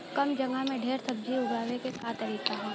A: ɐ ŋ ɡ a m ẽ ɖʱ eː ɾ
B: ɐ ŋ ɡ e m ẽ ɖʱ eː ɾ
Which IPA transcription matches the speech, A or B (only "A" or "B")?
A